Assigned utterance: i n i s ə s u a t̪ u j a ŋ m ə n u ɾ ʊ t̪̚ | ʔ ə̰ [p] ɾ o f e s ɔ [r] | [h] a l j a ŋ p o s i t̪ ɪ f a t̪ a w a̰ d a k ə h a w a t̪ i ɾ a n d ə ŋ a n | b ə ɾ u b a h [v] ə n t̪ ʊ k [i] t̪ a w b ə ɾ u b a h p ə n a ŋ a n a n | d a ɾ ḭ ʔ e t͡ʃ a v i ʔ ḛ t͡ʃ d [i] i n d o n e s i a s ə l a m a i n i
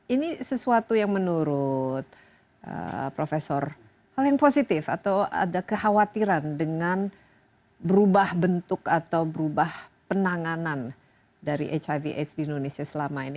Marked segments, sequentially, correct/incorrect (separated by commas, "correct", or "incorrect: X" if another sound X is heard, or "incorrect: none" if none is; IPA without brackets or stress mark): correct, correct, correct, incorrect: b, incorrect: a, correct